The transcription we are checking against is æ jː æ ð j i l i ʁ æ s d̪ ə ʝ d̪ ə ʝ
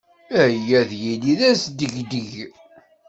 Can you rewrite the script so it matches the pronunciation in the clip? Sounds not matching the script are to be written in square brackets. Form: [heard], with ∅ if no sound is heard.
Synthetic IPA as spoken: æ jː æ ð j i l i [ð] æ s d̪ ə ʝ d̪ ə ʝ